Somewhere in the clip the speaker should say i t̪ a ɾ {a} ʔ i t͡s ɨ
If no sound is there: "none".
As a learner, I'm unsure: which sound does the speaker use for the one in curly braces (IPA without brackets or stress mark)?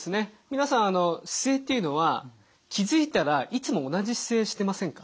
a